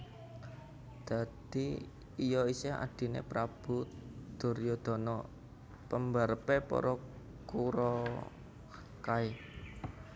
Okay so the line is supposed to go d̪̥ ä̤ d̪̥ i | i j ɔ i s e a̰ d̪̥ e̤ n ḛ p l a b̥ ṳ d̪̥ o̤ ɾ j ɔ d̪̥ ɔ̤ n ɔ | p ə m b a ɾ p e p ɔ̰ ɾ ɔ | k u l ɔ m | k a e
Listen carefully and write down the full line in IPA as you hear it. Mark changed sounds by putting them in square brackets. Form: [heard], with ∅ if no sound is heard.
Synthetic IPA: d̪̥ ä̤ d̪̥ i | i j ɔ i s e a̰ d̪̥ [i̤] n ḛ p [ɾ] a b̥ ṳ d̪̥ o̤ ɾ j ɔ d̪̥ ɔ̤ n ɔ | p ə m b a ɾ p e p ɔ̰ ɾ ɔ | k u [ɾ] ɔ [∅] | k a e